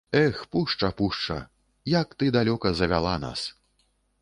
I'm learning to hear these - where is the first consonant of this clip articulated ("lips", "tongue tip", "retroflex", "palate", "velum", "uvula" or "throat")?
velum